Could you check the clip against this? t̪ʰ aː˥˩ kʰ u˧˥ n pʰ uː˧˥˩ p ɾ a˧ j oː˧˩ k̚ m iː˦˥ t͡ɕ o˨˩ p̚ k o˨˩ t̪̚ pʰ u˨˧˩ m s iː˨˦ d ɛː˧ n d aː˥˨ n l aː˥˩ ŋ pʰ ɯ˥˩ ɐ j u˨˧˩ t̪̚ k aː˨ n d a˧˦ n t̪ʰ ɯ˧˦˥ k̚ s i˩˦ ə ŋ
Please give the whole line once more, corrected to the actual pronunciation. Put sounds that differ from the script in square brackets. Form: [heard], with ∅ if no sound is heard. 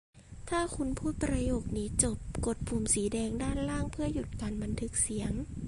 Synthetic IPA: t̪ʰ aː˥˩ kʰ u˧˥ n pʰ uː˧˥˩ p ɾ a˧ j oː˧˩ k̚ [n] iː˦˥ t͡ɕ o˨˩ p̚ k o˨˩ t̪̚ pʰ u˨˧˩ m s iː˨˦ d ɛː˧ [ŋ] d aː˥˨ n l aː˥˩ ŋ pʰ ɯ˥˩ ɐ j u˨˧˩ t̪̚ k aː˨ n [b] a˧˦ n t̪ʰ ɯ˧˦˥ k̚ s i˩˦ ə ŋ